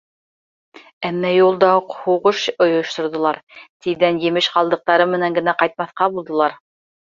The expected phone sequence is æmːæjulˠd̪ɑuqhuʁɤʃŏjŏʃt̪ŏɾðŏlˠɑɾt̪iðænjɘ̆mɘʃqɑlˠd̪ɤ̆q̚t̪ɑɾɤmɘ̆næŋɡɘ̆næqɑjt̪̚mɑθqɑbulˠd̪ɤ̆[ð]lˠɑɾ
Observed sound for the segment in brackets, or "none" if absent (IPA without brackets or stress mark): none